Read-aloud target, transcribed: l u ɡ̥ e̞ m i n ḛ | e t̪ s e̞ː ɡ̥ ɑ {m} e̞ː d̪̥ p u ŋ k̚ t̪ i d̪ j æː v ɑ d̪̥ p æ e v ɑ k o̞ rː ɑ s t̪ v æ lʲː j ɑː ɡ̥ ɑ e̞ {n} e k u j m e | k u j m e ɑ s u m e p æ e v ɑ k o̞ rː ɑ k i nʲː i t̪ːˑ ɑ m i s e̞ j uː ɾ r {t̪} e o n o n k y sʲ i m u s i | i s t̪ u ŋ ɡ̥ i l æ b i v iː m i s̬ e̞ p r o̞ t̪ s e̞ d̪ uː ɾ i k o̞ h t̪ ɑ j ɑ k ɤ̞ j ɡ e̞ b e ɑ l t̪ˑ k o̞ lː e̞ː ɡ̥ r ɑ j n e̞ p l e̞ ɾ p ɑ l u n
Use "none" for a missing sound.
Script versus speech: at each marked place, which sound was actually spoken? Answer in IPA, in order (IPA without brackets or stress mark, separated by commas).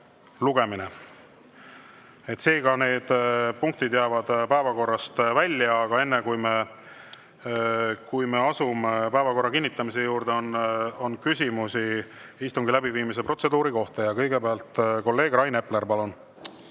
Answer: n, nː, d̪